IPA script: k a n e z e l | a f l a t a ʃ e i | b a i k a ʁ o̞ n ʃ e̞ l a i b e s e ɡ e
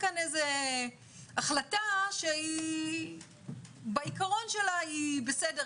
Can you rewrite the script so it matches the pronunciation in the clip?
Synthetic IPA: k a n e z e | a χ l a t a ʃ e i | b a i k a ʁ o̞ n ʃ e̞ l a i b e s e d e

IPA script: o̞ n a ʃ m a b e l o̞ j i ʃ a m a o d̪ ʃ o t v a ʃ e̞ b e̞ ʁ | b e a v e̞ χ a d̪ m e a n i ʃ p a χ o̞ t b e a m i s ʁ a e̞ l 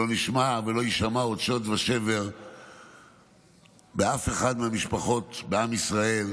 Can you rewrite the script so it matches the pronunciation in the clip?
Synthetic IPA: o̞ n i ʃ m a v e l o̞ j i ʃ a m a o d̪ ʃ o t v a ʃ e̞ v e̞ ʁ | b e a f e̞ χ a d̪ m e a m i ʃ p a χ o̞ t b e a m i s ʁ a e̞ l

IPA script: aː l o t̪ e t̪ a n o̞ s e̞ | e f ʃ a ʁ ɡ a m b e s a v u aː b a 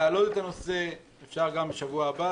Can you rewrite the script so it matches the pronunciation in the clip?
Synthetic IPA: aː l o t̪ e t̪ a n o̞ s e̞ | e f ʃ a ʁ ɡ a m b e ʃ a v u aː b a

